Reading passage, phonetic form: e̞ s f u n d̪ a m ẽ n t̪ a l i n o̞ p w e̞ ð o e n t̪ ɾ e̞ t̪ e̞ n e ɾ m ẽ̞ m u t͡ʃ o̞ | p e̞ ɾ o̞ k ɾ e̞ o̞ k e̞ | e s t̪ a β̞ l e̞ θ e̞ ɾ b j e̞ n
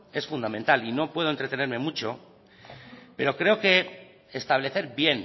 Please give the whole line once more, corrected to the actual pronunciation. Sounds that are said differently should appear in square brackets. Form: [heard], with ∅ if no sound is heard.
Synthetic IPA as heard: e̞ s f u n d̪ a m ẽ n t̪ a l i n o̞ p w e̞ ð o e n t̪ ɾ e̞ t̪ e̞ n e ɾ m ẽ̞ m u t͡ʃ o̞ | p e̞ ɾ o̞ k ɾ e̞ o̞ k e̞ | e s t̪ a β̞ l e̞ θ e̞ ɾ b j e̞ n